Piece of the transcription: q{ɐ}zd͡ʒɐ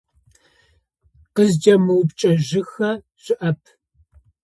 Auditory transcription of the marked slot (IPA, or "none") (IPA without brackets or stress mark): ə